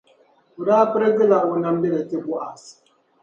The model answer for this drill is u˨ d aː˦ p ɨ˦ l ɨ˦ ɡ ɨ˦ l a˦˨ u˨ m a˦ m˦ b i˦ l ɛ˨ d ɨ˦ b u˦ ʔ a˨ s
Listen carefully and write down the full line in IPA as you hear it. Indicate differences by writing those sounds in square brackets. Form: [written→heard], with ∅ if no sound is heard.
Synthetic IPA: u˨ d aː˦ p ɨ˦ [l→ɾ] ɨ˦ ɡ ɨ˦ l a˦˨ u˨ [m→n] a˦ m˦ b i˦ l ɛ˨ [d→t] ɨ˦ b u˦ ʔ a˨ s

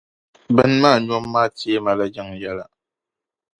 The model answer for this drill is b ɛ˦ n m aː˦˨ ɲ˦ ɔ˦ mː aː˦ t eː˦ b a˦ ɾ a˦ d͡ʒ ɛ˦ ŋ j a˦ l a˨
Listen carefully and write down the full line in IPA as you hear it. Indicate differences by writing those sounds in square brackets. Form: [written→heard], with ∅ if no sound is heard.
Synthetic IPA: b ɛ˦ n m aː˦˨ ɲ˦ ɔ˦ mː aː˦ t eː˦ [b→m] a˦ [ɾ→l] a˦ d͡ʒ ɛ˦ ŋ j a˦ l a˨

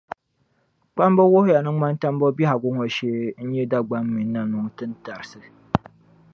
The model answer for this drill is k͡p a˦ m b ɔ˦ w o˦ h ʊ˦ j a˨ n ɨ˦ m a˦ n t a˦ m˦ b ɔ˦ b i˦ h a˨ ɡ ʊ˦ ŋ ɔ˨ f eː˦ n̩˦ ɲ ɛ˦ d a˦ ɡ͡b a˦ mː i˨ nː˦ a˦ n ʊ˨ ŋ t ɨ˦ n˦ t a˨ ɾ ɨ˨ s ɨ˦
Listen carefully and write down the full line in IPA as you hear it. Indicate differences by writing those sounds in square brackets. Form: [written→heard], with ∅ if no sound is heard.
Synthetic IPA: k͡p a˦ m b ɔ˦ w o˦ h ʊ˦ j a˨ n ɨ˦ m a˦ n t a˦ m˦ b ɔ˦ b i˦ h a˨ ɡ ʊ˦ ŋ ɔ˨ [f→ʃ] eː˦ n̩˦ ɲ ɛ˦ d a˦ ɡ͡b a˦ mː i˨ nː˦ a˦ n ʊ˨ ŋ t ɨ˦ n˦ t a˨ ɾ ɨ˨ s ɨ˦

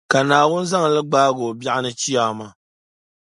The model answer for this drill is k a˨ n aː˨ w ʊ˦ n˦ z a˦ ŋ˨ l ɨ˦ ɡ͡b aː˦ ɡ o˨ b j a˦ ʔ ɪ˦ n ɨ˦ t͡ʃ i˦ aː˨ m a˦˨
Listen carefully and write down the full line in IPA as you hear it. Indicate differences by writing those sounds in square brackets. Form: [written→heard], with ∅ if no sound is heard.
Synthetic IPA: k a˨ n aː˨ w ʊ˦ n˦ z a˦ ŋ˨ l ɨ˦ ɡ͡b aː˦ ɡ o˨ b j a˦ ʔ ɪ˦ n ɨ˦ t͡ʃ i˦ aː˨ m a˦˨

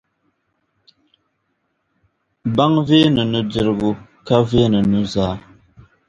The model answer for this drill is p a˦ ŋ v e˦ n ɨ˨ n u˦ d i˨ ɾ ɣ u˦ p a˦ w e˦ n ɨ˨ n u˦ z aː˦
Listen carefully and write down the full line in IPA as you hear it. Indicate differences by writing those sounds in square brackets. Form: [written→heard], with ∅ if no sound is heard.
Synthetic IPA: [p→b] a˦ ŋ v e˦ n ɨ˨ n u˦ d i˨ ɾ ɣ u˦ [p→k] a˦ [w→v] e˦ n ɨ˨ n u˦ z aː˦

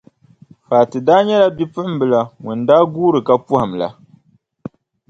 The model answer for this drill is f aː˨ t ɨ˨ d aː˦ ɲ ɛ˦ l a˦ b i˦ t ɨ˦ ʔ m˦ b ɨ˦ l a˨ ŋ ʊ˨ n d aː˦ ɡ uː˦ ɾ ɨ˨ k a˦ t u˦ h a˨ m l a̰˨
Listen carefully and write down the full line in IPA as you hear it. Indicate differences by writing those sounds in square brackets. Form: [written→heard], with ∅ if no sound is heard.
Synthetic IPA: f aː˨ t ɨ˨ d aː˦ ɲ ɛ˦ l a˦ b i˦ [t→p] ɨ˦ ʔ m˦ b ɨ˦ l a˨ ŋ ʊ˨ n d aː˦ ɡ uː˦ ɾ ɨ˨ k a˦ [t→p] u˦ h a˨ m l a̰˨

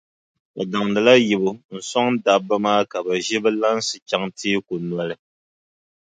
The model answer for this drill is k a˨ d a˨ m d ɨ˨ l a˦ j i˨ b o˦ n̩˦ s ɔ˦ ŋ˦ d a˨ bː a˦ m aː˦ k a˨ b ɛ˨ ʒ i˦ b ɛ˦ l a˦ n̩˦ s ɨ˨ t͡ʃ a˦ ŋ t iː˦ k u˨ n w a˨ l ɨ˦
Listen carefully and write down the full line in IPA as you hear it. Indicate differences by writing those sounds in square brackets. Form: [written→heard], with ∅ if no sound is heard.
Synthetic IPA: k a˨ d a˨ [m→ŋ] d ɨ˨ l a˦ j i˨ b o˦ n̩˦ s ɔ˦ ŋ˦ d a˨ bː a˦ m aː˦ k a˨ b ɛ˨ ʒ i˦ b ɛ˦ l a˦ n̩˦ s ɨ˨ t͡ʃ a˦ ŋ t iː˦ k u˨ n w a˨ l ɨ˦

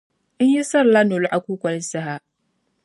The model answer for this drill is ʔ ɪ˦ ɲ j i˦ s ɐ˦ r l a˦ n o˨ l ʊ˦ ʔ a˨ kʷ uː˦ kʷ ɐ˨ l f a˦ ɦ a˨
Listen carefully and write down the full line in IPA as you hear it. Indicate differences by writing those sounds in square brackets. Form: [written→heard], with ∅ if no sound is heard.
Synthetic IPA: ʔ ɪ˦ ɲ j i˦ s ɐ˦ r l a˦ n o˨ l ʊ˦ ʔ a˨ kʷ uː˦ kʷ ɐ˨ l [f→s] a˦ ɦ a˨

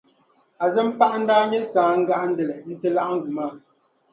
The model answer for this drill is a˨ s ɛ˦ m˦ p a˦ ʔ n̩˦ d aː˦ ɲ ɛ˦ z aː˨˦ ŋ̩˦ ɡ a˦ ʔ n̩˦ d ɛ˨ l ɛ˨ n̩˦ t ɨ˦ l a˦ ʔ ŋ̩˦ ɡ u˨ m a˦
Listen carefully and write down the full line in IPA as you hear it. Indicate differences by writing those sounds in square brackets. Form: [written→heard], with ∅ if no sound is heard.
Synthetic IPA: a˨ [s→z] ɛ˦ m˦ p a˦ ʔ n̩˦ d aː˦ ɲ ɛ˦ [z→s] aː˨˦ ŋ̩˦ ɡ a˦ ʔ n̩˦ d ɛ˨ l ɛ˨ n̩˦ t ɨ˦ l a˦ ʔ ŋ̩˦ ɡ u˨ m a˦

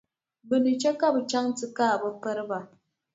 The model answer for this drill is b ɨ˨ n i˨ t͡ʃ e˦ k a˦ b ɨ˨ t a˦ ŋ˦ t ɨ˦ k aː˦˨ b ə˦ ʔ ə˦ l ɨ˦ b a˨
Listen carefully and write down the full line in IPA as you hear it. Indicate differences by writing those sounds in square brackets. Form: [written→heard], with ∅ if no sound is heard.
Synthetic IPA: b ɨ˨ n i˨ t͡ʃ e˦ k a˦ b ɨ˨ [t→t͡ʃ] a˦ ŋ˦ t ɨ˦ k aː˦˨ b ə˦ [ʔ→p] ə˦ [l→ɾ] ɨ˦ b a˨

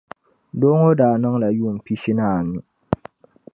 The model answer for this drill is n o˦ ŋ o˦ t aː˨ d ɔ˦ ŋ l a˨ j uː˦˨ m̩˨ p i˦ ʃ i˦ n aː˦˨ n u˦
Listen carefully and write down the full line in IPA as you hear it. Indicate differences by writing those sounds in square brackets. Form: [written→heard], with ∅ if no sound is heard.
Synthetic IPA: [n→d] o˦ ŋ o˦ [t→d] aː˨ [d→n] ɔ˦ ŋ l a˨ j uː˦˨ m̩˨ p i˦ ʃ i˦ n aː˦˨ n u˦

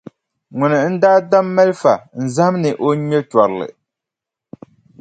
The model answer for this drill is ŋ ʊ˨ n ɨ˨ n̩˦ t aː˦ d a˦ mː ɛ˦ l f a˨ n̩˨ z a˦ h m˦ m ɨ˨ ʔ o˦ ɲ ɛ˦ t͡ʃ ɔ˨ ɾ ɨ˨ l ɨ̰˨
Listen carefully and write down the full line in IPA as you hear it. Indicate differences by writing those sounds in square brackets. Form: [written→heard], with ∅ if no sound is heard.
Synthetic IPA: ŋ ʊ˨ n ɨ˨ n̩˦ [t→d] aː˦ d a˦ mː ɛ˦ l f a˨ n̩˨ z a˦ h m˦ [m→n] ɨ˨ ʔ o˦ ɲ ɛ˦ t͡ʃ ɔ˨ ɾ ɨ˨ l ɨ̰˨

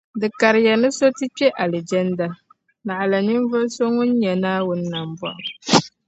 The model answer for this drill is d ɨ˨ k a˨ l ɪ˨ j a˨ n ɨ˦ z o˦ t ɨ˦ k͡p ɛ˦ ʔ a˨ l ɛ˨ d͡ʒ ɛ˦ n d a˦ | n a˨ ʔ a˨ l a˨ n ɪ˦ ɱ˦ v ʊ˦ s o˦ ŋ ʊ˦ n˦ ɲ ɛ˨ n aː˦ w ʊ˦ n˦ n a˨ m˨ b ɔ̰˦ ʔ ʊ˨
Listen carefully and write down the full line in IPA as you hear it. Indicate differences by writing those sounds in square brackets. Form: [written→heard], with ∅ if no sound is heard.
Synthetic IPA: d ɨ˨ k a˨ [l→ɾ] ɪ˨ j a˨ n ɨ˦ [z→s] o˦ t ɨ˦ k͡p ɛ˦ ʔ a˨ l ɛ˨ d͡ʒ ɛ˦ n d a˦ | n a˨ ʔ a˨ l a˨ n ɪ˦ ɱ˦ v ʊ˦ s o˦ ŋ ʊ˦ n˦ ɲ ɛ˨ n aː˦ w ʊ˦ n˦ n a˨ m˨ b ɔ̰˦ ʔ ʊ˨

